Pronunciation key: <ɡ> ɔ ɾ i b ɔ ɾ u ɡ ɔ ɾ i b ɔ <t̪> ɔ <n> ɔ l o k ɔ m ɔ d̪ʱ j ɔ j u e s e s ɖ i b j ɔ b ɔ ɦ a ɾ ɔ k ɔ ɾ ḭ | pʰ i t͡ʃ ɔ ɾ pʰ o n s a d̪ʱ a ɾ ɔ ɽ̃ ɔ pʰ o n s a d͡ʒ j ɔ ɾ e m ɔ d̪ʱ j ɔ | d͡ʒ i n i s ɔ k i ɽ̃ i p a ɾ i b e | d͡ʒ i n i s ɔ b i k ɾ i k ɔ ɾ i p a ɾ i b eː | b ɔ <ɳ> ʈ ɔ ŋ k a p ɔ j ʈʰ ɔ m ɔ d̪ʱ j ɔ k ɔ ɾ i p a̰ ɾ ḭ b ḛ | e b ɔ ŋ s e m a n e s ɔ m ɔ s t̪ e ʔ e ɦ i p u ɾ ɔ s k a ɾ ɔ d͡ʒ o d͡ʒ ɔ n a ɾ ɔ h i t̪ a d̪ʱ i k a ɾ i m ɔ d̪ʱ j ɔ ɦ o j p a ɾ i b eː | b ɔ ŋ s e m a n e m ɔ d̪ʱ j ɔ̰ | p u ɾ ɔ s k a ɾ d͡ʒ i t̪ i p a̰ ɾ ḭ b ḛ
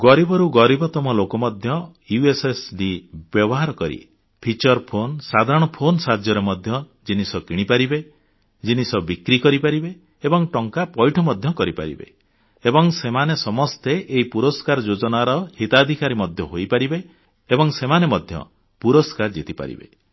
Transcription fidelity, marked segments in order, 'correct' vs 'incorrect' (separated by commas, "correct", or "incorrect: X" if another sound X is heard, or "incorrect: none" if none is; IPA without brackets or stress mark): correct, correct, incorrect: m, incorrect: ŋ